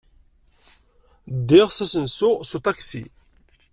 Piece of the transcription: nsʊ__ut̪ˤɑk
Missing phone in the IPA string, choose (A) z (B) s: B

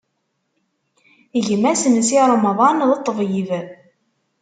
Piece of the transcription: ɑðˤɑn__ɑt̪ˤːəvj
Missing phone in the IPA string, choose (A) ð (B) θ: A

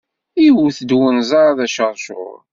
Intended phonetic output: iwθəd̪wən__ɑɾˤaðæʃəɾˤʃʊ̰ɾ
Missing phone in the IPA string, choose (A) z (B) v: A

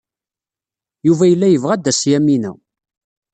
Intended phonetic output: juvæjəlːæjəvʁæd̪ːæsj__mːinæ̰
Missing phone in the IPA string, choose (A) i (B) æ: B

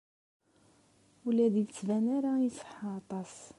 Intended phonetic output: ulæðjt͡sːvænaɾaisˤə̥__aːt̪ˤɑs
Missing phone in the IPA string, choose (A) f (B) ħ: B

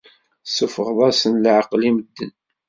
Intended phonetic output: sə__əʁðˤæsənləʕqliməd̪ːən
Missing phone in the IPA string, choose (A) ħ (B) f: B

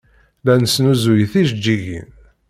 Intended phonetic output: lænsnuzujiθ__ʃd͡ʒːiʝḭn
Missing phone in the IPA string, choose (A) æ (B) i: B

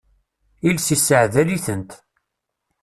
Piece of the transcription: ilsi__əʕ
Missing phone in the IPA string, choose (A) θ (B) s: B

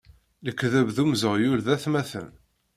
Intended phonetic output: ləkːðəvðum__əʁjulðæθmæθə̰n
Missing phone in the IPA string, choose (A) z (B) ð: A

